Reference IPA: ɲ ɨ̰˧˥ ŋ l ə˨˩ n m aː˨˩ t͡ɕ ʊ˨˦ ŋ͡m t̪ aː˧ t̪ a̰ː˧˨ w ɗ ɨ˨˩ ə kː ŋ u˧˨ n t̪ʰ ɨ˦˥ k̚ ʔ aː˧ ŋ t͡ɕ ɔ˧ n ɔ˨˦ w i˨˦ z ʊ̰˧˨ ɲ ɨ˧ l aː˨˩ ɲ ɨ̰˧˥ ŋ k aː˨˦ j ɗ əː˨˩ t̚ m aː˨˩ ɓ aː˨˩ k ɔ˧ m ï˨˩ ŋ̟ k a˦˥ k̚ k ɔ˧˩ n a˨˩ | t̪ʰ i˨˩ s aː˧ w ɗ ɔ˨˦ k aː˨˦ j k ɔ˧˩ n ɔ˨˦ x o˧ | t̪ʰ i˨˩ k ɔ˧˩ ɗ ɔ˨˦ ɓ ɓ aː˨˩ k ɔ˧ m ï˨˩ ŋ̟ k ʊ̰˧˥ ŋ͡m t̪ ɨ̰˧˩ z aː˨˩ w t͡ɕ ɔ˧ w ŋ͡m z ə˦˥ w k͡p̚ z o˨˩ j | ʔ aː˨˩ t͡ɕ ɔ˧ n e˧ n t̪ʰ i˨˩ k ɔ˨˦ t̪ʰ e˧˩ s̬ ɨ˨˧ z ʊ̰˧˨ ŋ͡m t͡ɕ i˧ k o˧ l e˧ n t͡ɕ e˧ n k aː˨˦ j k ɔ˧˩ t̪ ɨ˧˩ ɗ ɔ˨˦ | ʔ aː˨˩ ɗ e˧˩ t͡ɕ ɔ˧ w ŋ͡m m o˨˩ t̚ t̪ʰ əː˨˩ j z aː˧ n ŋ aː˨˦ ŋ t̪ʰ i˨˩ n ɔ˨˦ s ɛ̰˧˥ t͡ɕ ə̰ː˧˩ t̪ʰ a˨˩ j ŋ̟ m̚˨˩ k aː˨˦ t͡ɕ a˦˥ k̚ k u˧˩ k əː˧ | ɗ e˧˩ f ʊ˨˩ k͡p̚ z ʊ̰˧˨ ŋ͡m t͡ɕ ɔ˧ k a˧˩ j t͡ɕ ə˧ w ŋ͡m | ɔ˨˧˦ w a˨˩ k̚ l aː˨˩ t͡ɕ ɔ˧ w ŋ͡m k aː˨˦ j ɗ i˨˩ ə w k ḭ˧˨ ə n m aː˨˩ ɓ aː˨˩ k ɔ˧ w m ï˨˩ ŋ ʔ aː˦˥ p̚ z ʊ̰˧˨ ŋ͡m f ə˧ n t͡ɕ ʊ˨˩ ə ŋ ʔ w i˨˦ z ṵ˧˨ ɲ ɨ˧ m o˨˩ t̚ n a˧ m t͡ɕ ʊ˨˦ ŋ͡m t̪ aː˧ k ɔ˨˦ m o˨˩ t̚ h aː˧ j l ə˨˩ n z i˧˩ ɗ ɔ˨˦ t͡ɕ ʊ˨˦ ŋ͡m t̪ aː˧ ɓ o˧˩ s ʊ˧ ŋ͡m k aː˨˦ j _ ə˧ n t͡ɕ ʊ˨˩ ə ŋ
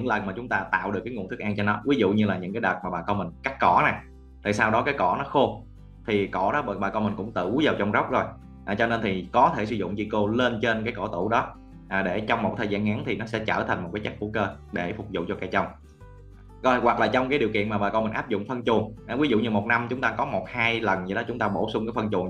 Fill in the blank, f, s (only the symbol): f